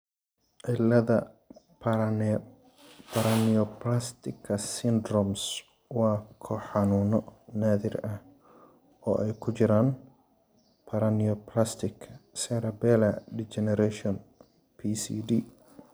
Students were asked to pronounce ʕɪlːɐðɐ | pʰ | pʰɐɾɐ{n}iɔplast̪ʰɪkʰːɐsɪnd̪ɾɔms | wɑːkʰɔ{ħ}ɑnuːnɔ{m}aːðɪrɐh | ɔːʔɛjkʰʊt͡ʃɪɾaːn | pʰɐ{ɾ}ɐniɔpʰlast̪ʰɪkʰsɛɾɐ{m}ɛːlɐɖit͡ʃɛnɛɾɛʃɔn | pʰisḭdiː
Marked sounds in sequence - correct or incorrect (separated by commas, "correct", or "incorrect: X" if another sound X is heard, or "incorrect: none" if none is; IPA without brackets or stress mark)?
correct, correct, incorrect: n, correct, incorrect: b